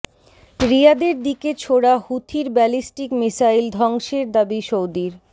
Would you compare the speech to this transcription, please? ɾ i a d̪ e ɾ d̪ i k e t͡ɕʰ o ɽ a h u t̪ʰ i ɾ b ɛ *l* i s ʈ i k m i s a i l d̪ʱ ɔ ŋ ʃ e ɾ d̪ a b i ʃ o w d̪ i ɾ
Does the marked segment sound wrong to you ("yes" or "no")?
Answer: no